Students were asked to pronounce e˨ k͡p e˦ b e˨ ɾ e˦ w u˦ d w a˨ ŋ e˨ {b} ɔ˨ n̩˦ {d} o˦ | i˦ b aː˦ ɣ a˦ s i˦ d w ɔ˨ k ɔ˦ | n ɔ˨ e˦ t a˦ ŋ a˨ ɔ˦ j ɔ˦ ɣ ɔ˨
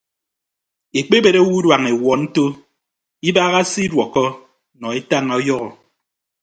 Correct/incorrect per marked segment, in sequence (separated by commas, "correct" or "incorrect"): incorrect, incorrect